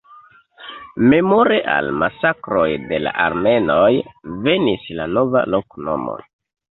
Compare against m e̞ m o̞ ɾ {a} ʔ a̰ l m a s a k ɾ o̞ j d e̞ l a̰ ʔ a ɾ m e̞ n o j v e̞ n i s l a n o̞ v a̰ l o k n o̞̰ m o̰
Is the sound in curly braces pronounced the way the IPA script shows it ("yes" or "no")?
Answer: no